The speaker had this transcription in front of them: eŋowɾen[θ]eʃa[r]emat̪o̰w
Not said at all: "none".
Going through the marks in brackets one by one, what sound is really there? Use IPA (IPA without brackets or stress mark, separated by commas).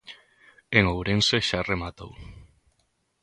s, r